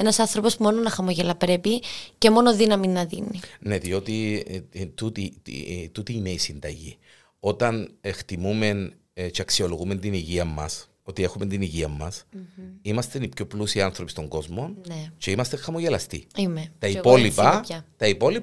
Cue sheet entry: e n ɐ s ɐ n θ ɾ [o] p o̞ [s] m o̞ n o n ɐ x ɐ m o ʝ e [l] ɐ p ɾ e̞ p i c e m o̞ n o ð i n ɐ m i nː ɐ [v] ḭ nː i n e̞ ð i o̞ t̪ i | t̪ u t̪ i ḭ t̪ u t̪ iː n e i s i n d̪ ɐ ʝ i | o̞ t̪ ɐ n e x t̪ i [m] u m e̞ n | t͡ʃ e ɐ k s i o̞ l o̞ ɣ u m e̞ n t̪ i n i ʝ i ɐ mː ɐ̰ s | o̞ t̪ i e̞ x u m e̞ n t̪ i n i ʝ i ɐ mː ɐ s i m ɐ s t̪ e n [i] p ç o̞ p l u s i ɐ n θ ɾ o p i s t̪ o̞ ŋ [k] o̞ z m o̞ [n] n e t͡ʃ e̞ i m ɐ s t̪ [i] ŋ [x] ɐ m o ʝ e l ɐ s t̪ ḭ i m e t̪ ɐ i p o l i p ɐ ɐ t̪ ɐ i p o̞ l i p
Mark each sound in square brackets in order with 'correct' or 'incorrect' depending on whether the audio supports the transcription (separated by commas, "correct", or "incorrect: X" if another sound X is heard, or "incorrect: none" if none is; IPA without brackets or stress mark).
correct, correct, correct, incorrect: ð, correct, correct, incorrect: ɡ, correct, incorrect: e, correct